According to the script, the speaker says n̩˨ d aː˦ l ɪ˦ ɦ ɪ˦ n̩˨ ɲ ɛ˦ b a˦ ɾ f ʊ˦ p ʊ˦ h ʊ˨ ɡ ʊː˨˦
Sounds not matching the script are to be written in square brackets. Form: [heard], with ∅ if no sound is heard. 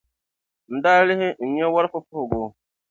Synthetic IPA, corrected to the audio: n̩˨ d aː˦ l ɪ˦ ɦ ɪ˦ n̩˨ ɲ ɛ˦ [w] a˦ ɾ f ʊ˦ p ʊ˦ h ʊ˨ ɡ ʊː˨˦